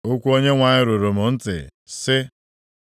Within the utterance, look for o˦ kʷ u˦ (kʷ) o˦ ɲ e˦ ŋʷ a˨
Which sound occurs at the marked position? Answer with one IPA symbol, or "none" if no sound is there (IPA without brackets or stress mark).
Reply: none